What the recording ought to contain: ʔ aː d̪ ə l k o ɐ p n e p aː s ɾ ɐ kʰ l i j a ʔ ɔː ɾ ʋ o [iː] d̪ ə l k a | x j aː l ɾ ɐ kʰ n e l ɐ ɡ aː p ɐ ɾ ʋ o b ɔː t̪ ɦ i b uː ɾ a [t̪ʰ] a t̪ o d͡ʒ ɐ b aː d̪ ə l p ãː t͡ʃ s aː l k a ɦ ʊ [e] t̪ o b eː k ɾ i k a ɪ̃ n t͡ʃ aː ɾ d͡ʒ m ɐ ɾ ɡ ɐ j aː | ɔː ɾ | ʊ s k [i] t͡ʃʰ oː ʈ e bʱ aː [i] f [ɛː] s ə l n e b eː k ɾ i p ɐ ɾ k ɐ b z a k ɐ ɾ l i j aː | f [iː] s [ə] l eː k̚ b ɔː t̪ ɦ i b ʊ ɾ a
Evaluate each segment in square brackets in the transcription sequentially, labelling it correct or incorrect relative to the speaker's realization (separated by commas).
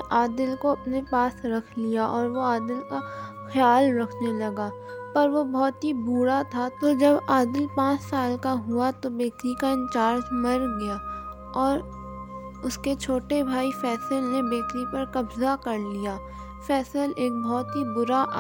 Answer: incorrect, correct, incorrect, incorrect, correct, correct, incorrect, correct